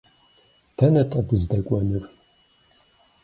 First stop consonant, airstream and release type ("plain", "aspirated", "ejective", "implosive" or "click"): aspirated